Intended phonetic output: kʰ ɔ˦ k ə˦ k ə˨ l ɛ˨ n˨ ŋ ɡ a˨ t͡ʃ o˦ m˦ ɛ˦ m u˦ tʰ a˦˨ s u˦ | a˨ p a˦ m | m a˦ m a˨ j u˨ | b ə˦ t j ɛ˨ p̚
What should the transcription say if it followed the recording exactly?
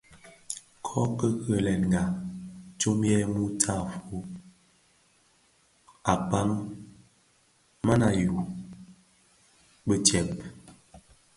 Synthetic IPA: kʰ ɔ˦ k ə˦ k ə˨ l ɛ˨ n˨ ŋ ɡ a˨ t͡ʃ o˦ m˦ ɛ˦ m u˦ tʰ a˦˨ f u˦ | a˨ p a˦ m | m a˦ n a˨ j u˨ | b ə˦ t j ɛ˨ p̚